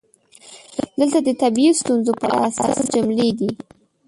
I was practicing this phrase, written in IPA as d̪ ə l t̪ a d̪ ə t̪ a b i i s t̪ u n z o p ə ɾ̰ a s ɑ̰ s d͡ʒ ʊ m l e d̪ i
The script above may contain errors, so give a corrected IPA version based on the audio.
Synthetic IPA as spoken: d̪ ə l t̪ a d̪ ə t̪ a b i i s t̪ u n z o p ə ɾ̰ a s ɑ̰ s d͡ʒ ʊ m l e d̪ i